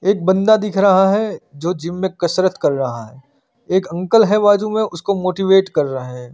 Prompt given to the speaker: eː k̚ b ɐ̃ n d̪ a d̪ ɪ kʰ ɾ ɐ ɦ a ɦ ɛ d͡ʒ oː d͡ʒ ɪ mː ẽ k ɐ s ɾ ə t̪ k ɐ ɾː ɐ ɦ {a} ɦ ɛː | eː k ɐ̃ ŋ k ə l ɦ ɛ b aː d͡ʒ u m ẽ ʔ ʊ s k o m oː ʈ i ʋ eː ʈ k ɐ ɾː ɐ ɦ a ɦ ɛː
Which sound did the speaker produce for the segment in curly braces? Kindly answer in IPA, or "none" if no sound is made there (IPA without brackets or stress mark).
a